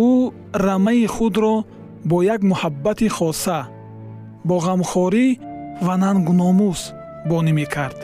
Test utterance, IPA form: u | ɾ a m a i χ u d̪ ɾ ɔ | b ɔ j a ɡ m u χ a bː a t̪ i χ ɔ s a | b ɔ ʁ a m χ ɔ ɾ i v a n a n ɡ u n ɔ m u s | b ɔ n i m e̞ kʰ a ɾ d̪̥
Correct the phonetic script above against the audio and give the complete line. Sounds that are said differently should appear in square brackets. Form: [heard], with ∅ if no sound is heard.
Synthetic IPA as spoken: u | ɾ a m a i χ u d̪ ɾ ɔ | b ɔ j a ɡ m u [h] a bː a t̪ i χ ɔ s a | b ɔ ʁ a m χ ɔ ɾ i v a n a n ɡ u n ɔ m u s | b ɔ n i m e̞ kʰ a ɾ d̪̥